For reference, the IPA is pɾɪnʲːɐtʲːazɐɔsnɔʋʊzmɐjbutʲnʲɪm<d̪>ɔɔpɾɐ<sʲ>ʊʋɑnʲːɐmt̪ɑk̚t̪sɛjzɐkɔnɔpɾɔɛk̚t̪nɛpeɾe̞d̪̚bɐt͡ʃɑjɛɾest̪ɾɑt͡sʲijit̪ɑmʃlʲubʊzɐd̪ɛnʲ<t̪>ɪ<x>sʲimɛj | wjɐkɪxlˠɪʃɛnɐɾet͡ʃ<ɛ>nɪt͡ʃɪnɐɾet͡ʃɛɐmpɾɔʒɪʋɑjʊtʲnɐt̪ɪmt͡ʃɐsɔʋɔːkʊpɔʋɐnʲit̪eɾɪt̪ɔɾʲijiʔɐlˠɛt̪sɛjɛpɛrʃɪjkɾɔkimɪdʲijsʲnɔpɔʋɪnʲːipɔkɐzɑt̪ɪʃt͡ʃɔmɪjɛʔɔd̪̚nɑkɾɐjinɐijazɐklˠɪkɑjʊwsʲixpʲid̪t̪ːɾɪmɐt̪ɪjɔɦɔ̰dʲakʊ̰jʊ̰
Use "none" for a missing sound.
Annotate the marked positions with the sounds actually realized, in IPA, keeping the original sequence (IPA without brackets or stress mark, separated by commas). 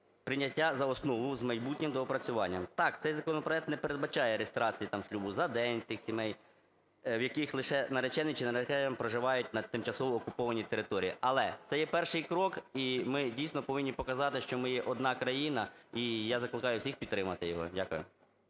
d̪, t͡sʲ, t̪, x, ɛ